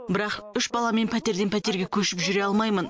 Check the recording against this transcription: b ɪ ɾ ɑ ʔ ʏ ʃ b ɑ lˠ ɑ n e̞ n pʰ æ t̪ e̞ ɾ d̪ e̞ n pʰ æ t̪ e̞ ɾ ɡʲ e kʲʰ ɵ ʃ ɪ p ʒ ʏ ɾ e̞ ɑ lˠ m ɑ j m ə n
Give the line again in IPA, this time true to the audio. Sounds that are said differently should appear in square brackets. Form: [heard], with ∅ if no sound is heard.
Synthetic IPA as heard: b ɪ ɾ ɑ [q] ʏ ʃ b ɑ lˠ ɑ [m] e̞ n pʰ æ t̪ e̞ ɾ d̪ e̞ n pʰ æ t̪ e̞ ɾ ɡʲ e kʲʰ ɵ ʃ ɪ p ʒ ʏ ɾ e̞ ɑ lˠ m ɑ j m ə n